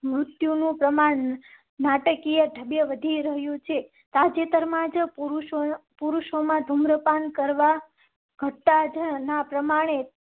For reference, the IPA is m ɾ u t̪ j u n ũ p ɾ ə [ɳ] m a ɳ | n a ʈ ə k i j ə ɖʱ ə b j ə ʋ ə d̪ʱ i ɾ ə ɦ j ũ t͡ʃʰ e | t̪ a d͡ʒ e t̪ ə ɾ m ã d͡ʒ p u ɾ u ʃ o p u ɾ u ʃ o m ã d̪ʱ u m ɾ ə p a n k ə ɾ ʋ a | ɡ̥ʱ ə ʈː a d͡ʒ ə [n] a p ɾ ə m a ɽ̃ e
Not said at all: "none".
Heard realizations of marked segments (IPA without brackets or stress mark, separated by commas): none, n